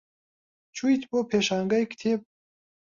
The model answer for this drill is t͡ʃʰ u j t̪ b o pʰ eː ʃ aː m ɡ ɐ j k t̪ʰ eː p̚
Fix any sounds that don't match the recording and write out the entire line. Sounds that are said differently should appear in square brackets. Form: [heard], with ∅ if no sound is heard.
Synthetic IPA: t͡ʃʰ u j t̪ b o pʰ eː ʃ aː [ŋ] ɡ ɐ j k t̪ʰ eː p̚